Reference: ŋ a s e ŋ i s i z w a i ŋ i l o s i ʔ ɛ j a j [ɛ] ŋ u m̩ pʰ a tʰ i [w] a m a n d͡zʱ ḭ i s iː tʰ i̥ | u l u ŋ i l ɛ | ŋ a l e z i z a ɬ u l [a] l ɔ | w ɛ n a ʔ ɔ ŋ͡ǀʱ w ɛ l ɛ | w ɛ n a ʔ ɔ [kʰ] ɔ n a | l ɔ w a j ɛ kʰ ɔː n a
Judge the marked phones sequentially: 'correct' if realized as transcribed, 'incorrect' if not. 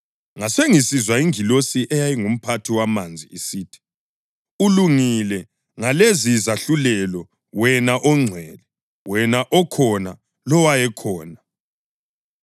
incorrect: i, correct, incorrect: ɛ, correct

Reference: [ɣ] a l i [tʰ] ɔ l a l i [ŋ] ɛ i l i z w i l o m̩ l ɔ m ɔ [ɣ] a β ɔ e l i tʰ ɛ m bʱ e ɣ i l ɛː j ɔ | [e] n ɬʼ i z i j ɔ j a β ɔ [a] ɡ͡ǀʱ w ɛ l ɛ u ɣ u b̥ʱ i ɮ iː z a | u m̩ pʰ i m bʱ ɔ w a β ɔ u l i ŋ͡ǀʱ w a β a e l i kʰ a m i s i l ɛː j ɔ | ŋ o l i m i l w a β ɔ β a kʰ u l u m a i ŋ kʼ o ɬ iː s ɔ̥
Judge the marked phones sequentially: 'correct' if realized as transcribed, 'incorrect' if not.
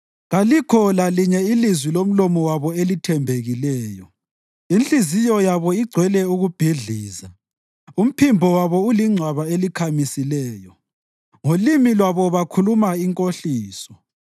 correct, incorrect: kʰ, incorrect: ɲ, incorrect: w, incorrect: i, incorrect: i

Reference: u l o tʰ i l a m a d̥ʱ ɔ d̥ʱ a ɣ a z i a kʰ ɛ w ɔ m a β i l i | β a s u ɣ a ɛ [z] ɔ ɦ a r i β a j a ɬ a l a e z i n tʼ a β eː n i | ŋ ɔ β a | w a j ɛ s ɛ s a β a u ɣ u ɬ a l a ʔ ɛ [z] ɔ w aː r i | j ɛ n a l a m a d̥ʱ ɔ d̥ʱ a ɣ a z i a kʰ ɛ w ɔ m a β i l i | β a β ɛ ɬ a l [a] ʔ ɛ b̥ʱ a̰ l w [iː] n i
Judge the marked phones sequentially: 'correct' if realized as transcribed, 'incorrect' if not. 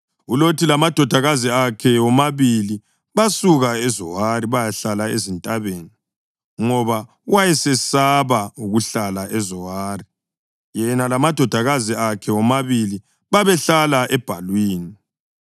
correct, correct, correct, correct

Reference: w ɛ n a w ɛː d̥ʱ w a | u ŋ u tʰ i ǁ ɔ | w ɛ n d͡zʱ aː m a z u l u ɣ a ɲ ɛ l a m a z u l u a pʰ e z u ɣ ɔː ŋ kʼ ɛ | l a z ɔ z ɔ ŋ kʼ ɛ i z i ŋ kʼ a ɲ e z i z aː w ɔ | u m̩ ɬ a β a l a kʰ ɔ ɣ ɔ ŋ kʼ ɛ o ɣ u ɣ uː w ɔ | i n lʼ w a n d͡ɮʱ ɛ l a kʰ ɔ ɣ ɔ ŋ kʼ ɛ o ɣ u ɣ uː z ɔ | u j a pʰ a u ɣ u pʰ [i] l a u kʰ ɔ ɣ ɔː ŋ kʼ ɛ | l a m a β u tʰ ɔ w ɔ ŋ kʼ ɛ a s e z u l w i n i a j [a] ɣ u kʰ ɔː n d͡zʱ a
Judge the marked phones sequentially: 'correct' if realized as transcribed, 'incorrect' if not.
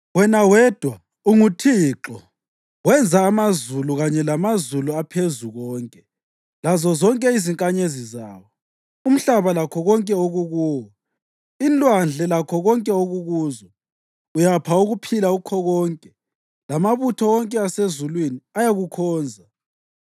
correct, correct

